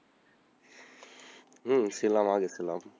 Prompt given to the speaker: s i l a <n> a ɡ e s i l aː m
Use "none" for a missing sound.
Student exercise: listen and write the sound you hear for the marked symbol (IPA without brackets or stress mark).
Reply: m